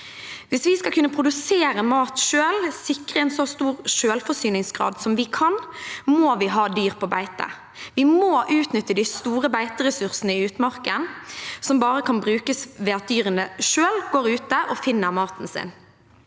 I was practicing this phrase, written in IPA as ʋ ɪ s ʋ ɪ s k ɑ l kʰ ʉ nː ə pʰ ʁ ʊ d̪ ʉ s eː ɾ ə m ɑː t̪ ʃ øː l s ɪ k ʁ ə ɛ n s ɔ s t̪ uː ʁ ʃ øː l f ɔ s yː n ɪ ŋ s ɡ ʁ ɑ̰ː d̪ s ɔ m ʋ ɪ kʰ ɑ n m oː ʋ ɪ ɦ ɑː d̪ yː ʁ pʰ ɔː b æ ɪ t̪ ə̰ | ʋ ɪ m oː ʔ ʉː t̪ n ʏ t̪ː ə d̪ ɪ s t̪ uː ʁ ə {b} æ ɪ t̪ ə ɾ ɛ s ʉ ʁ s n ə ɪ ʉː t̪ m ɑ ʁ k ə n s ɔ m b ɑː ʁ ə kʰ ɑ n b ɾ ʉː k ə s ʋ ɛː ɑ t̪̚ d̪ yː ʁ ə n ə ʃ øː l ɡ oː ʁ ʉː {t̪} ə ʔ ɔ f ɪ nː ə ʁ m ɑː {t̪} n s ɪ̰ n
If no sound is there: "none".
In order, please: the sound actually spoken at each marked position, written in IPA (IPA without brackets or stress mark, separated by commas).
b, t̪, t̪